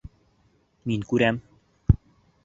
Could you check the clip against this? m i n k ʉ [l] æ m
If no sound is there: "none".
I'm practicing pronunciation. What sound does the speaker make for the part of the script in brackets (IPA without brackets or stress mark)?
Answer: ɾ